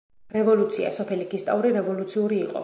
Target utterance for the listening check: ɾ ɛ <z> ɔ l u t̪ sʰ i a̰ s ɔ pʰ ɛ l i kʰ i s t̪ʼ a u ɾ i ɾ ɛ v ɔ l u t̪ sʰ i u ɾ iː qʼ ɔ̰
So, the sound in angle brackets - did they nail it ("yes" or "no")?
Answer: no